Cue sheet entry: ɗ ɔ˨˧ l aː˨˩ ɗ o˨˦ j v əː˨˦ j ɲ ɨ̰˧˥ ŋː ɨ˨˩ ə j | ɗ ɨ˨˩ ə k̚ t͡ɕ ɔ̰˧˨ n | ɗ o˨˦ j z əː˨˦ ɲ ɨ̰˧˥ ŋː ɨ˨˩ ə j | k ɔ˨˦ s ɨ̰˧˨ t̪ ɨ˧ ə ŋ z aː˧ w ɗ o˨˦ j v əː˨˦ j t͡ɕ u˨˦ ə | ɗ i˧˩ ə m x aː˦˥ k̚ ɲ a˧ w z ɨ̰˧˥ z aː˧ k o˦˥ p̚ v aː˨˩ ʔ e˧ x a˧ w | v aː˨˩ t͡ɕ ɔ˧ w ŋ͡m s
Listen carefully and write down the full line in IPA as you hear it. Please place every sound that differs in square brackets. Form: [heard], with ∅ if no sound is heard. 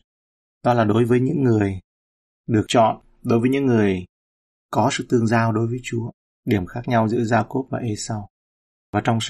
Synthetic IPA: ɗ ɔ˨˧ l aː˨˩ ɗ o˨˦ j v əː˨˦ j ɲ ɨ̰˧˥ ŋː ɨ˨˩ ə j | ɗ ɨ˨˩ ə k̚ t͡ɕ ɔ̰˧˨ n | ɗ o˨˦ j [v] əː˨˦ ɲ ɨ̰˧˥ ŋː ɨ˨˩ ə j | k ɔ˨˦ s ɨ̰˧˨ t̪ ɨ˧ ə ŋ z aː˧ w ɗ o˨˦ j v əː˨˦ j t͡ɕ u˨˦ ə | ɗ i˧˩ ə m x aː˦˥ k̚ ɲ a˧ w z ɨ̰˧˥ z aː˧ k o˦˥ p̚ v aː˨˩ ʔ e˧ [s] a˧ w | v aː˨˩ t͡ɕ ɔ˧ w ŋ͡m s